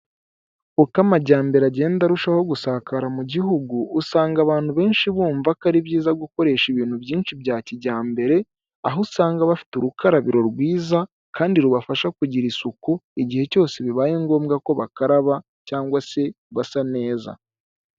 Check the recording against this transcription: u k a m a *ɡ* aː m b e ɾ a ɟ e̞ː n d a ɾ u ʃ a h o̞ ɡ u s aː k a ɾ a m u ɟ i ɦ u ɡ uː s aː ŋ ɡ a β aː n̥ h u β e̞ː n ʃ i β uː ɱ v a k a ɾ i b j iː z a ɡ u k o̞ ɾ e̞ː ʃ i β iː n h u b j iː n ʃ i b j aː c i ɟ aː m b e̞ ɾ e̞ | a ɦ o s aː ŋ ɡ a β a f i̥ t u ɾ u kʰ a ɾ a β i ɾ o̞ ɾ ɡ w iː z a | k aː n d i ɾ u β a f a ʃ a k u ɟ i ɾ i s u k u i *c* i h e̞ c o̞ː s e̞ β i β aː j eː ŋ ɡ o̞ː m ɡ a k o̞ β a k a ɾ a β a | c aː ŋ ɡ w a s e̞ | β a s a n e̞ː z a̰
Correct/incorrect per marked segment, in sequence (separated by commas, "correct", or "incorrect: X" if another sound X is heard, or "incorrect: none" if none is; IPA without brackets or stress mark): incorrect: ɟ, incorrect: ɟ